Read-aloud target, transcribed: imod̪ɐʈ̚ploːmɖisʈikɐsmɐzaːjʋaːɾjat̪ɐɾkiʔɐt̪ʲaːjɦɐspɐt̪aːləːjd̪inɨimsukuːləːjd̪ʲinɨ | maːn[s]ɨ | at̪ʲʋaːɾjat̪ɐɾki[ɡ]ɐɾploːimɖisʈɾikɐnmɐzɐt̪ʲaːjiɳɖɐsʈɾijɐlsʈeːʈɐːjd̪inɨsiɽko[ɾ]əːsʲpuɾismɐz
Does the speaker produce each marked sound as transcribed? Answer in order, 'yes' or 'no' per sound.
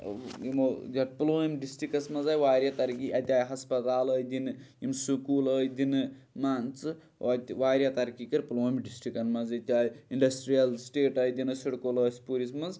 no, no, no

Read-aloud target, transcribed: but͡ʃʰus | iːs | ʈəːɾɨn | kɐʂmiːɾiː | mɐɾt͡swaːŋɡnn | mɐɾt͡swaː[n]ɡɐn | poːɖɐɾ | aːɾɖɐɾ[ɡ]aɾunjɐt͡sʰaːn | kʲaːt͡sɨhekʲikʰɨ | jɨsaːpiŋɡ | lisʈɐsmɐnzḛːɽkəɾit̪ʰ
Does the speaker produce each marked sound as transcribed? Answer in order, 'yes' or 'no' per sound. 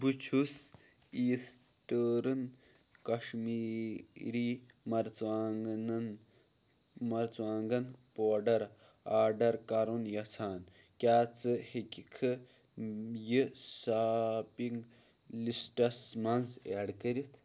no, no

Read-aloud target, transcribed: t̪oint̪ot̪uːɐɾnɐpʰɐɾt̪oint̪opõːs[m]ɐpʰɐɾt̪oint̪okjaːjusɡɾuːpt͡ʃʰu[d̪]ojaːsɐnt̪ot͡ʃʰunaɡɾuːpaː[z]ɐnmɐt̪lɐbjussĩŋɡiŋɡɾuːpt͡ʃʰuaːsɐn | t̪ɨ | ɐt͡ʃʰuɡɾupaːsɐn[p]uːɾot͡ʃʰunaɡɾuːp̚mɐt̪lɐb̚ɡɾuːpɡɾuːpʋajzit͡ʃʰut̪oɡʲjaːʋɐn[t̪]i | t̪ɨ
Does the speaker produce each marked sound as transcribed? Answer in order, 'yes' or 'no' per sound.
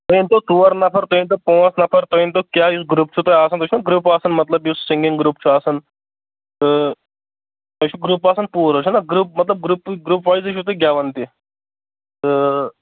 no, no, no, yes, yes

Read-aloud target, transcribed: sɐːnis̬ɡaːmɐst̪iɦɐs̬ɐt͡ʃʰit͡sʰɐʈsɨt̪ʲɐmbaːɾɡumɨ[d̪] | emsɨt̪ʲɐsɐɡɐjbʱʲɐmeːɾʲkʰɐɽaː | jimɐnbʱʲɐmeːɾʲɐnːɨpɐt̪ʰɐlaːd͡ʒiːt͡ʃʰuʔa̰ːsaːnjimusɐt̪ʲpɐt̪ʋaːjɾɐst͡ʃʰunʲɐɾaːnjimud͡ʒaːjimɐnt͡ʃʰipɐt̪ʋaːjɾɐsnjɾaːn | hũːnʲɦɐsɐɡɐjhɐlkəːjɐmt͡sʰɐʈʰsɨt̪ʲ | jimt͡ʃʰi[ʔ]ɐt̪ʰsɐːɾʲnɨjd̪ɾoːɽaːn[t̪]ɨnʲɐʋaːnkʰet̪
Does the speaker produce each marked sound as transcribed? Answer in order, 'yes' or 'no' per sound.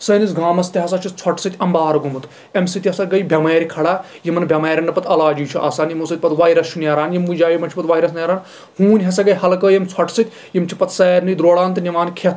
no, no, yes

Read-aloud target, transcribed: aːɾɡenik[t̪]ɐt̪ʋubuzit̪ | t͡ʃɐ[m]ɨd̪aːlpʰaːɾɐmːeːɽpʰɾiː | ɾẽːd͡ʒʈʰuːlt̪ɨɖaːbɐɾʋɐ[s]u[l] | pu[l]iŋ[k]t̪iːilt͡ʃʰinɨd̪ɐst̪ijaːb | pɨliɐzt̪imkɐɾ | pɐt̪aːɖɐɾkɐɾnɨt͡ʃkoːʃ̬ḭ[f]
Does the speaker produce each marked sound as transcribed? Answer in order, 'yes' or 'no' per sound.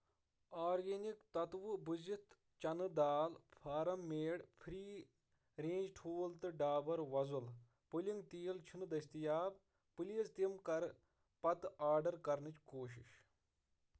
yes, no, no, yes, yes, no, no

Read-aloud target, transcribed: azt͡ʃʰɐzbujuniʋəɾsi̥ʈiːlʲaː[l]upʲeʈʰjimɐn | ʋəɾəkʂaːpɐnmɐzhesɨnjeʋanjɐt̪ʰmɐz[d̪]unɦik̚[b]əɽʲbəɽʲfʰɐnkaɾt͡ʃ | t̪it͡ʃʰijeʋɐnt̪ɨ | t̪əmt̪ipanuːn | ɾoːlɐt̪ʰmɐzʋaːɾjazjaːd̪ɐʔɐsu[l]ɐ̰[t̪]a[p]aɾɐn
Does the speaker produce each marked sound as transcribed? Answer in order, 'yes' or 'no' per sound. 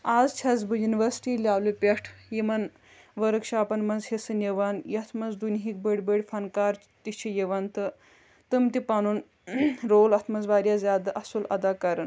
yes, yes, yes, yes, no, no

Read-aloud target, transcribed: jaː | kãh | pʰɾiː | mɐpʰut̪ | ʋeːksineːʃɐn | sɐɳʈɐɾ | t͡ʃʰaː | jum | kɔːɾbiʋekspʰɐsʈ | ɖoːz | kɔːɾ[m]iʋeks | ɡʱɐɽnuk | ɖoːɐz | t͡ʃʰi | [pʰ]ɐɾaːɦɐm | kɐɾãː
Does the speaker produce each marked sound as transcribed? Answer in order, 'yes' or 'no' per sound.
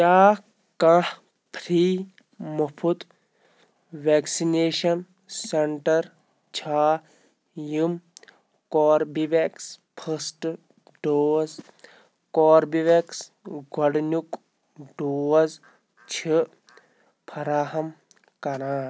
no, yes

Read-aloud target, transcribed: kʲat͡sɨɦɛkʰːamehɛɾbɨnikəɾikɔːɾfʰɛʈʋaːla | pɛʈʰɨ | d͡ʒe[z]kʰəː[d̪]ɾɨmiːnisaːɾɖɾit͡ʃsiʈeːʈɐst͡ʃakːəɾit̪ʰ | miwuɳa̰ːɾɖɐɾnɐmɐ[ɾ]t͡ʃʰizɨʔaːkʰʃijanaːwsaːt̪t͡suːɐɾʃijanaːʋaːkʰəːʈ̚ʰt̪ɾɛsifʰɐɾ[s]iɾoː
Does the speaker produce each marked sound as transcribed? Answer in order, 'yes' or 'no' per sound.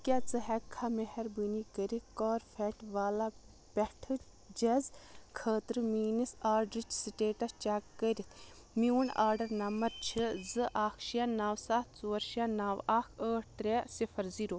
yes, no, yes, no

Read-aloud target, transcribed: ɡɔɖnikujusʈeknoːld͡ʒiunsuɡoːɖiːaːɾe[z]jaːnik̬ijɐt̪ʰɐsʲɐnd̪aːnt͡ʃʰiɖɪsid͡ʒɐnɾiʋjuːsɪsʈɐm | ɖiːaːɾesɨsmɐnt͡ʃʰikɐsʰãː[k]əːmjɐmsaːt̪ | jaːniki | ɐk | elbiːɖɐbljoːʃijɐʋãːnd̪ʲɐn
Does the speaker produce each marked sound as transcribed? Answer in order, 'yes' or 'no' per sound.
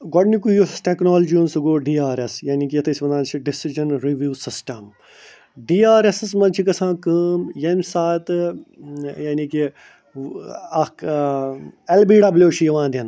no, yes

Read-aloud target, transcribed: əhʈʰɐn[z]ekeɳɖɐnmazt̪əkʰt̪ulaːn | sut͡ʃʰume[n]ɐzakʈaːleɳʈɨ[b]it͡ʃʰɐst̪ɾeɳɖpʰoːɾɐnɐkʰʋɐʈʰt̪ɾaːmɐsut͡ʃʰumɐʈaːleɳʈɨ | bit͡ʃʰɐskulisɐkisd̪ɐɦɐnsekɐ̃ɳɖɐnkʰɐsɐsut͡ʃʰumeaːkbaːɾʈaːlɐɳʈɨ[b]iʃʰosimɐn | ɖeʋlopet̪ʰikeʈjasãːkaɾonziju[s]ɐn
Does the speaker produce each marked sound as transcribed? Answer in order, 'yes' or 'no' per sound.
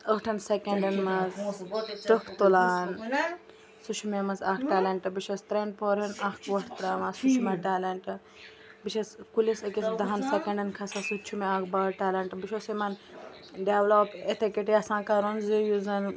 no, no, yes, yes, no

